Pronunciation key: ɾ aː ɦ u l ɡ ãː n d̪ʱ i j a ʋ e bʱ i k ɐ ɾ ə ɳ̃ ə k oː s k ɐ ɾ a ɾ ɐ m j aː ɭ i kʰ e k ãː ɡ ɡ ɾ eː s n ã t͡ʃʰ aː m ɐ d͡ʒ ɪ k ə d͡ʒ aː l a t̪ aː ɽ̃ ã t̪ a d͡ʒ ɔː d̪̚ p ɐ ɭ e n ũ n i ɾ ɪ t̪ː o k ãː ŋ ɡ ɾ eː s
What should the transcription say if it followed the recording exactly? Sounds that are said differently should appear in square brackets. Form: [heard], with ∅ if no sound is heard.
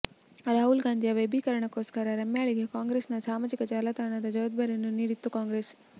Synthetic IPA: ɾ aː ɦ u l ɡ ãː n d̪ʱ i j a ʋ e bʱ i k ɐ ɾ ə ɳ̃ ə k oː s k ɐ ɾ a ɾ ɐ m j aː ɭ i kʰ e k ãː [ŋ] ɡ ɾ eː s n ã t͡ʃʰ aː m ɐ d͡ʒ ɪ k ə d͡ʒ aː l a t̪ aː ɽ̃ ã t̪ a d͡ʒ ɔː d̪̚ [b] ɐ [ɾ] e n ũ n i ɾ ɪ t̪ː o k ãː ŋ ɡ ɾ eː s